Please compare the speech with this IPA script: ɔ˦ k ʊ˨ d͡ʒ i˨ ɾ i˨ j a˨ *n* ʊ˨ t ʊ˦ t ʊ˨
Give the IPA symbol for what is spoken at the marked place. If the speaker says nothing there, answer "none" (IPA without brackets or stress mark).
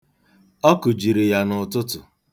n